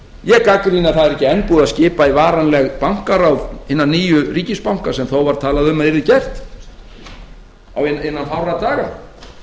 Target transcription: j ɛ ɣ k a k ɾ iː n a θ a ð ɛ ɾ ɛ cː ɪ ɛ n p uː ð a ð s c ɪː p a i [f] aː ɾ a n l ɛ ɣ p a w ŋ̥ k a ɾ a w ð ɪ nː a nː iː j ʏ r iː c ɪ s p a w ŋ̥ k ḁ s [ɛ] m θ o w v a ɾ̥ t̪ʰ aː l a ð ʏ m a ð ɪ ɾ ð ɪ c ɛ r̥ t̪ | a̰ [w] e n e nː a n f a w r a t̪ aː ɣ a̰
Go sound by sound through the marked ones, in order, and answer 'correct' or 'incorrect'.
incorrect: v, correct, correct

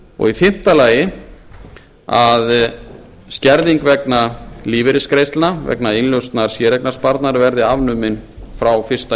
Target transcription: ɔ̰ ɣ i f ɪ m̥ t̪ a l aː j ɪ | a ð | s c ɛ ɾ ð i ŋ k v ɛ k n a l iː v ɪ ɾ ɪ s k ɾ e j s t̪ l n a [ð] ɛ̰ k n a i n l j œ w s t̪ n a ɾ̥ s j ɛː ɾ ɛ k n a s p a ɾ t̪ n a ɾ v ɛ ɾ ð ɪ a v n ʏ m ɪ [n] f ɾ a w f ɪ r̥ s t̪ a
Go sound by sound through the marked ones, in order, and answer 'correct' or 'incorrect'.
incorrect: v, correct

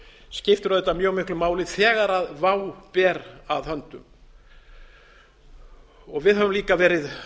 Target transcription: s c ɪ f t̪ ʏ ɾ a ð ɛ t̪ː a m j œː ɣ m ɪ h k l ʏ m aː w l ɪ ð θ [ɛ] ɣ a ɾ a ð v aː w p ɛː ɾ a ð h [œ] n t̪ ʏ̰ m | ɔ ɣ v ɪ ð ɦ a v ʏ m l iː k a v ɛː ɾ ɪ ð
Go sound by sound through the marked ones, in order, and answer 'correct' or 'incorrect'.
incorrect: ɛː, correct

